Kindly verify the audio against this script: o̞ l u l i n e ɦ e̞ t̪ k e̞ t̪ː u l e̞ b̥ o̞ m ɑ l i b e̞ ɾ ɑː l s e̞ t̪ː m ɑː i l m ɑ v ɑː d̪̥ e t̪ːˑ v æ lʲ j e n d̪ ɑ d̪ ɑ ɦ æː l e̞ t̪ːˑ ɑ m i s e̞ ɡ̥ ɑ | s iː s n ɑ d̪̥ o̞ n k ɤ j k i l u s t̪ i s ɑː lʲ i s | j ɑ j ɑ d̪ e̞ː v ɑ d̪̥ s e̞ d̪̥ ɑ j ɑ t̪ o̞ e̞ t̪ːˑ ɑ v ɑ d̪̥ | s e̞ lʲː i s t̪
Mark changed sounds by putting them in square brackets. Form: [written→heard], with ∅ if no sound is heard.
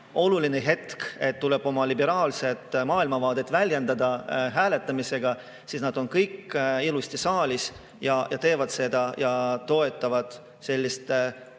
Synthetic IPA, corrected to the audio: o̞ l u l i n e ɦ e̞ t̪ k e̞ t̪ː u l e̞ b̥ o̞ m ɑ l i b e̞ ɾ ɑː l s e̞ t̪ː m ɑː i l m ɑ v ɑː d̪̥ e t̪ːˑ v æ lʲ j e n d̪ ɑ d̪ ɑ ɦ æː l e̞ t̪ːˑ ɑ m i s e̞ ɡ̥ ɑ | s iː s n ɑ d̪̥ o̞ n k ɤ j k i l u s t̪ i s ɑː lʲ i s | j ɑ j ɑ [d̪→t̪] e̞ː v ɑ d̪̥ s e̞ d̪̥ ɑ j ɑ t̪ o̞ e̞ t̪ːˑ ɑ v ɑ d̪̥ | s e̞ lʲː i s t̪